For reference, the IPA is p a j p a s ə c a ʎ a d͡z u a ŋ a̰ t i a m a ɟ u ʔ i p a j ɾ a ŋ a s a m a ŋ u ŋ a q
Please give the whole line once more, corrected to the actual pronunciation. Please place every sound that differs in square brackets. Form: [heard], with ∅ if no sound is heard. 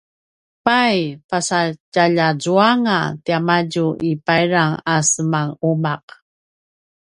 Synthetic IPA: p a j p a s [a] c a ʎ a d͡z u a ŋ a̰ t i a m a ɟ u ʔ i p a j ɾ a ŋ a s [ə] m a ŋ u [m] a q